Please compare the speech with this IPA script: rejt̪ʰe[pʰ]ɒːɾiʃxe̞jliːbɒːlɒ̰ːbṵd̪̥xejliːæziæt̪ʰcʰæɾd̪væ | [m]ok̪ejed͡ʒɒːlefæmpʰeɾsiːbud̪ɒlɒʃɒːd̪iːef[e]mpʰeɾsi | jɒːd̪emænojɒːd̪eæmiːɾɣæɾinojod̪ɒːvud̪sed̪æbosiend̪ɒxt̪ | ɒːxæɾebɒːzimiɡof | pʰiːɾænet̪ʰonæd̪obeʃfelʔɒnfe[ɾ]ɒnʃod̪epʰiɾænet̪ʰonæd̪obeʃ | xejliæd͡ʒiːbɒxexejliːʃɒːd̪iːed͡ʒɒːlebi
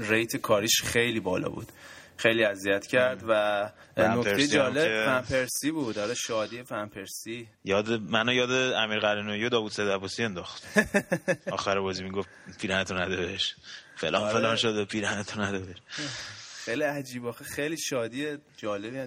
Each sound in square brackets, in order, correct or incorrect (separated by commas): incorrect, incorrect, incorrect, incorrect